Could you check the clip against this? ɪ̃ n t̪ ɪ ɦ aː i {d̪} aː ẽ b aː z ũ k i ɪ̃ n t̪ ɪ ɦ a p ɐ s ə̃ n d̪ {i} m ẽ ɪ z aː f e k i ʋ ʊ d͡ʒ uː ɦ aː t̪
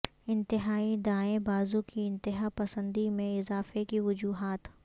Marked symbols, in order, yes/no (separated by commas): yes, yes